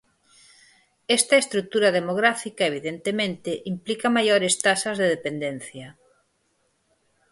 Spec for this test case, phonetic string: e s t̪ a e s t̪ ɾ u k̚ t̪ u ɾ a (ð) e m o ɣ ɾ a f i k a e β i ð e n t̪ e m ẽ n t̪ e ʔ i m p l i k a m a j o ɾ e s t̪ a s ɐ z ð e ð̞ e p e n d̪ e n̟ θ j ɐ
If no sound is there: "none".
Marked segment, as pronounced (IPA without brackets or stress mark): ð